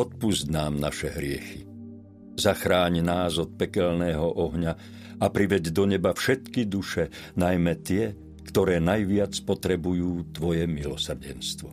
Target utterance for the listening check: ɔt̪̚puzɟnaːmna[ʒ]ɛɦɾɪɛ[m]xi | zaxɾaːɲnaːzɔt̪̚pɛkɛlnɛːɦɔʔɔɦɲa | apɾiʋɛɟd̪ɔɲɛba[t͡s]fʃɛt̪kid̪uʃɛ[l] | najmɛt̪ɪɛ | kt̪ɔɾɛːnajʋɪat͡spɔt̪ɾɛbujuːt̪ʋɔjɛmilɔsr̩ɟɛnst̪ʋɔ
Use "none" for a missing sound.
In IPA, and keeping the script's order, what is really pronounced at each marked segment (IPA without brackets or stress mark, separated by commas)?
ʃ, none, none, none